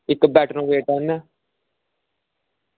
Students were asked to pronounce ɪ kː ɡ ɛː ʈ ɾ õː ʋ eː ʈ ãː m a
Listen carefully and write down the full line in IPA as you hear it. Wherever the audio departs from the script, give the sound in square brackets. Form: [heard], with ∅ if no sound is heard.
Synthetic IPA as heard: ɪ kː [b] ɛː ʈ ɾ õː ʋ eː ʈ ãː [n] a